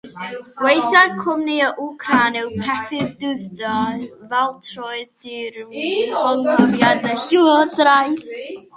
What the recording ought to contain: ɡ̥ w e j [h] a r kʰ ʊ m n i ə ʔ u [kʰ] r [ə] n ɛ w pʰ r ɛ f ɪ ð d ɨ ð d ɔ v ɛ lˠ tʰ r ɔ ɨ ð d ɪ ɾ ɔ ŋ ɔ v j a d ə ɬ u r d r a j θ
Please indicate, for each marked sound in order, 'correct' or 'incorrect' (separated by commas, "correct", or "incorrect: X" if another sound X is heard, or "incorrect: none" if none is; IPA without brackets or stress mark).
incorrect: θ, correct, incorrect: a